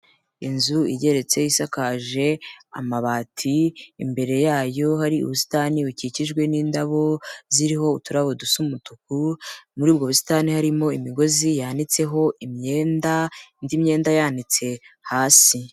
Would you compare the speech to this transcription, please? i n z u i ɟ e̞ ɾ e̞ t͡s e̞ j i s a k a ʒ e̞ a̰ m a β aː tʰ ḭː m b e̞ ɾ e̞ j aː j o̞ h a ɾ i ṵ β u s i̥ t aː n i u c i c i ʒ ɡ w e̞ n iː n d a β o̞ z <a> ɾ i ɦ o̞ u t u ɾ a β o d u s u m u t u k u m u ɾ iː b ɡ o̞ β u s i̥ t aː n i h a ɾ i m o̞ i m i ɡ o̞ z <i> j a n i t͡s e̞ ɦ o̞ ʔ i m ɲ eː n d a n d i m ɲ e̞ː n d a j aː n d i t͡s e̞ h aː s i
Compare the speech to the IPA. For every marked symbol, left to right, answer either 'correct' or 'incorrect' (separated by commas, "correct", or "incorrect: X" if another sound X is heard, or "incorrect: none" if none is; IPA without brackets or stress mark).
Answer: incorrect: i, correct